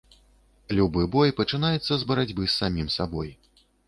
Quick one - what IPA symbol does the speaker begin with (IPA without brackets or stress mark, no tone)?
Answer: lʲ